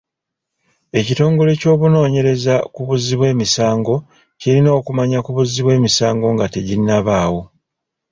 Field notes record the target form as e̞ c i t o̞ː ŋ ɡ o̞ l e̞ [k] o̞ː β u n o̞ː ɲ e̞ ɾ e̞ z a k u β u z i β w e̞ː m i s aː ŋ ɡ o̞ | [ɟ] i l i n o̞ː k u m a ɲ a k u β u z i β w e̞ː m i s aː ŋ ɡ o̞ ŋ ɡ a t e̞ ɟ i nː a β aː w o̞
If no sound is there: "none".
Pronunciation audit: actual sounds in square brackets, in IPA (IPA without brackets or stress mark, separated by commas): c, c